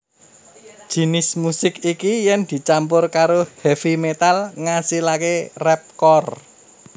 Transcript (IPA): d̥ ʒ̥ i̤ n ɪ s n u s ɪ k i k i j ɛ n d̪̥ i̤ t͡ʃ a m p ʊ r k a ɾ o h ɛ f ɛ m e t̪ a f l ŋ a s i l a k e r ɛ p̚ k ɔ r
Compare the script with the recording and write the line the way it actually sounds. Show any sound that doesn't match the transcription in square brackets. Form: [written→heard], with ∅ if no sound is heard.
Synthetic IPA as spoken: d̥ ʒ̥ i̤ n ɪ s [n→m] u s ɪ k i k i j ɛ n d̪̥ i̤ t͡ʃ a m p ʊ r k a ɾ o h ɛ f [ɛ→i] m e t̪ a [f→∅] l ŋ a s i l a k e r ɛ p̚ k ɔ r